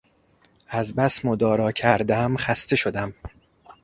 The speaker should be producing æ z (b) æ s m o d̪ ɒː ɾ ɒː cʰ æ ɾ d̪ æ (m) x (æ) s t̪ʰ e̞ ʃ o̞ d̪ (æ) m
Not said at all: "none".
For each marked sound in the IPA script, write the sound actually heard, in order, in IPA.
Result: b, m, æ, æ

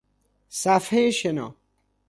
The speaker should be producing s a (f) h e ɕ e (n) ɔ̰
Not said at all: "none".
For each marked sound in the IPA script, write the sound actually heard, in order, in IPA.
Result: f, n

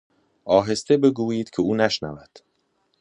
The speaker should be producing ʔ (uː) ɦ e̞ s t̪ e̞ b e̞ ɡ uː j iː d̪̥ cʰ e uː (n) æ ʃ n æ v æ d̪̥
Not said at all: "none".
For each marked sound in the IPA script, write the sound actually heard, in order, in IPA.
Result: ɒː, n

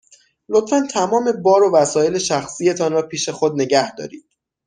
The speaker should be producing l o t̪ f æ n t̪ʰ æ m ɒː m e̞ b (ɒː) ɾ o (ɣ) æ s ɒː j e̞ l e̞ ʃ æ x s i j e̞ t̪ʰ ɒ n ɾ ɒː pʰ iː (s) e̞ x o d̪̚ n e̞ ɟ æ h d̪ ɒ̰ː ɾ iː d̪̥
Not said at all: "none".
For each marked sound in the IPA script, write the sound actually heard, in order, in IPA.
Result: ɒː, v, ʃ

